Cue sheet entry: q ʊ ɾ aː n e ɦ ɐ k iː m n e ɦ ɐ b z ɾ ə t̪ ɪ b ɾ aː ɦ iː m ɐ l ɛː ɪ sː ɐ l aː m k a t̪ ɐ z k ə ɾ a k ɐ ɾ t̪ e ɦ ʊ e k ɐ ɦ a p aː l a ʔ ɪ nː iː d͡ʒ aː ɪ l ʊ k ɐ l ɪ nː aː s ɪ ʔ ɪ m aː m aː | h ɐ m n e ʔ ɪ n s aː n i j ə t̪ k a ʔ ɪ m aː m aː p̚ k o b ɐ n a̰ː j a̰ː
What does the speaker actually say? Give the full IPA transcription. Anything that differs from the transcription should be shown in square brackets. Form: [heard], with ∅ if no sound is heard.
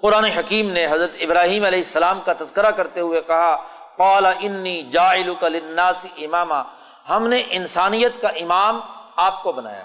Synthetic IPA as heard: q ʊ ɾ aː n e ɦ ɐ k iː m n e ɦ ɐ [∅] z ɾ ə t̪ ɪ b ɾ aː ɦ iː m ɐ l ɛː ɪ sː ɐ l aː m k a t̪ ɐ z k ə ɾ a k ɐ ɾ t̪ e ɦ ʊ e k ɐ ɦ a [q] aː l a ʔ ɪ nː iː d͡ʒ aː ɪ l ʊ k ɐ l ɪ nː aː s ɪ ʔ ɪ m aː m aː | h ɐ m n e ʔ ɪ n s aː n i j ə t̪ k a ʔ ɪ m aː m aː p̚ k o b ɐ n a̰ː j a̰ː